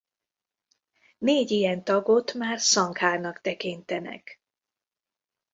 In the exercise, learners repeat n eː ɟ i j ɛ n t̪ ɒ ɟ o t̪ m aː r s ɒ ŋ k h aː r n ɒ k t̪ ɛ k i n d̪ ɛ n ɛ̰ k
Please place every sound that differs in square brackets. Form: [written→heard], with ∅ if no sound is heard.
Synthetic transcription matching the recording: n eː ɟ i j ɛ n t̪ ɒ [ɟ→ɡ] o t̪ m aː r s ɒ ŋ k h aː r n ɒ k t̪ ɛ k i n [d̪→t̪] ɛ n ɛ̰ k